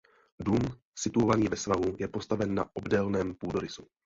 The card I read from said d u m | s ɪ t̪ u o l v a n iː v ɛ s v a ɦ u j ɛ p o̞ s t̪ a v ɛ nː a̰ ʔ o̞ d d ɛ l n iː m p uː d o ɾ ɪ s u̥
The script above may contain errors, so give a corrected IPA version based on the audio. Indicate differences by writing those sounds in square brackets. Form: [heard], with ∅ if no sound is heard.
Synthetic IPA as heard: d u m | s ɪ t̪ u o [∅] v a n iː v ɛ s v a ɦ u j ɛ p o̞ s t̪ a v ɛ nː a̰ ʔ o̞ [b] d ɛ l n [ɛː] m p uː d o ɾ ɪ s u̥